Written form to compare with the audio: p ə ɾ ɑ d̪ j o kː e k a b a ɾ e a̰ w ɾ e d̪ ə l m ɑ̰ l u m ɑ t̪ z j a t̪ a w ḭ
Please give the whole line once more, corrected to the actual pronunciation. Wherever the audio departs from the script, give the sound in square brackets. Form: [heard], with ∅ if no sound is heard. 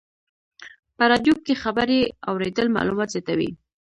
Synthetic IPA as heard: p ə ɾ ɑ d̪ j o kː e [x] a b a ɾ e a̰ w ɾ e d̪ ə l m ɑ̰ l u m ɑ t̪ z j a t̪ a w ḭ